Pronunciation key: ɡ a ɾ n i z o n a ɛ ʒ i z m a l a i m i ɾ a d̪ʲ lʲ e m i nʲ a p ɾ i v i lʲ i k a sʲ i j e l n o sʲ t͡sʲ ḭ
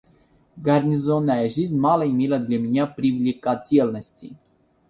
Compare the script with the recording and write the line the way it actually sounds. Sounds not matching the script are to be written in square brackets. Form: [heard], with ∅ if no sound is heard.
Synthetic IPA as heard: ɡ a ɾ n i z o n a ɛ ʒ i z m a l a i m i [l] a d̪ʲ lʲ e m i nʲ a p ɾ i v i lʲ i k a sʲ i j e l n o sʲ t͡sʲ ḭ